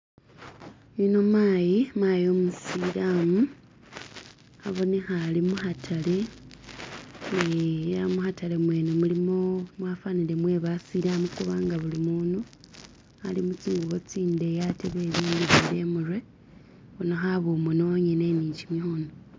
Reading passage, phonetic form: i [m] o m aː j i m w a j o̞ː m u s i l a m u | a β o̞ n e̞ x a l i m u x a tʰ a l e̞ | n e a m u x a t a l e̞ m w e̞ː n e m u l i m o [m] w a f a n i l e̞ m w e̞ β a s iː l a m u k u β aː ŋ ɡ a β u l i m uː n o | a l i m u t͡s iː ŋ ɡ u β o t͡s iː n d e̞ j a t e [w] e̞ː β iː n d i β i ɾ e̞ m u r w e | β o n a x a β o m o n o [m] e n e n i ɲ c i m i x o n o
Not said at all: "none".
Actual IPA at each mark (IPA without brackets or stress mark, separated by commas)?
n, m, β, ɲ